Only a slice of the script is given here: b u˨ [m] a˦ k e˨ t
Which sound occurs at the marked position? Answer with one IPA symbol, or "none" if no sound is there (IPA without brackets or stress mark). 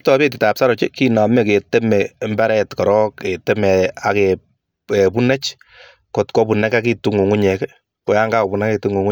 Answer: n